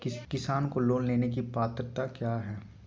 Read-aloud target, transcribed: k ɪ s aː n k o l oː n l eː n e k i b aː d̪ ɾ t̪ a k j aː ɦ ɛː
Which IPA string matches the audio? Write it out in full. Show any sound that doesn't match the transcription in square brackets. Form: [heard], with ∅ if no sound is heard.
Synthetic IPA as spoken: k ɪ s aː n k o l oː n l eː n e k i [p] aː [t̪] ɾ t̪ a k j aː ɦ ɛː

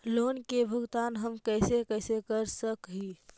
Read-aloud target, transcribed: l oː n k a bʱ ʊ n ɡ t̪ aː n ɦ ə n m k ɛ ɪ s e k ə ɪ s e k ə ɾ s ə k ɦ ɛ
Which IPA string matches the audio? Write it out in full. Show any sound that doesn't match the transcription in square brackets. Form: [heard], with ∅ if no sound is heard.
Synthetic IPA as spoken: l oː n k [e] bʱ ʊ [∅] ɡ t̪ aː n ɦ ə [∅] m k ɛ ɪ s e k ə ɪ s e k ə ɾ s ə k ɦ [i]

